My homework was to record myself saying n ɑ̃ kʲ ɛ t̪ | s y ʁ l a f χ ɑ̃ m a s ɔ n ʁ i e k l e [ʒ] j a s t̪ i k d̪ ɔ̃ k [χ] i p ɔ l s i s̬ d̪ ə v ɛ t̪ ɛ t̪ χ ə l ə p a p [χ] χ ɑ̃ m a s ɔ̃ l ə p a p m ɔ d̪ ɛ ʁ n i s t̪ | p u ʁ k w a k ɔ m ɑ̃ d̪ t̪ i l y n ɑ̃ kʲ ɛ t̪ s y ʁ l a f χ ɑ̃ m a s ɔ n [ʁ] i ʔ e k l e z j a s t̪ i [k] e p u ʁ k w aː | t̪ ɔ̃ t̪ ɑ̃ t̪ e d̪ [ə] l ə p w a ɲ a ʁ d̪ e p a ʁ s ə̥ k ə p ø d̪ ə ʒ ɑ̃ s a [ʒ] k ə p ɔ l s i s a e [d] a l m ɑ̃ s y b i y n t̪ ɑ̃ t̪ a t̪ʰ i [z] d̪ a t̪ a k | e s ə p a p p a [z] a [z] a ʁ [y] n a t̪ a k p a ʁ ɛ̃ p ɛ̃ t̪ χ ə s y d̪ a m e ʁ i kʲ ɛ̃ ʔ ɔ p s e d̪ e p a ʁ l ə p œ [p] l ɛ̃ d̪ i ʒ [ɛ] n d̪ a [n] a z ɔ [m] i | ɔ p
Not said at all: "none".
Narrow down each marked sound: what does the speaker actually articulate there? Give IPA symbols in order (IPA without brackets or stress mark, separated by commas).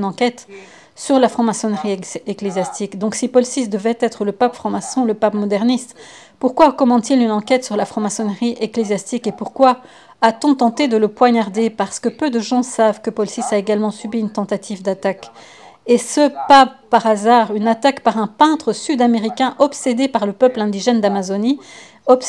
z, s, f, ʁ, k, ə, v, ɡ, v, ʁ, z, y, p, ɛ, m, n